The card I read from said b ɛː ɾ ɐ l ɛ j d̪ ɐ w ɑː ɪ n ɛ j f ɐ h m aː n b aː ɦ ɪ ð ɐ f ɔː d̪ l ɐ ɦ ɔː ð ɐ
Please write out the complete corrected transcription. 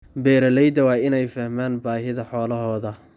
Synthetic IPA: b ɛː ɾ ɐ l ɛ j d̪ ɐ w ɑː ɪ n ɛ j f ɐ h m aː n b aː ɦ ɪ ð ɐ ħ ɔː l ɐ ɦ ɔː ð ɐ